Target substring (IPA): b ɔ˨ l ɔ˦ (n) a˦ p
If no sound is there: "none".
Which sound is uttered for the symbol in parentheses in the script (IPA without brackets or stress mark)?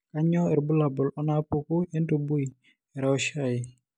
n